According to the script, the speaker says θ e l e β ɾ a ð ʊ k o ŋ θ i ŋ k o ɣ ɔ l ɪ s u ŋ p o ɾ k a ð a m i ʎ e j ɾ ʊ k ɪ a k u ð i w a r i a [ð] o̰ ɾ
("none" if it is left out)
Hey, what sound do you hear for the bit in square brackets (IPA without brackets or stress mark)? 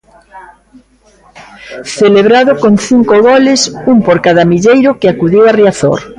θ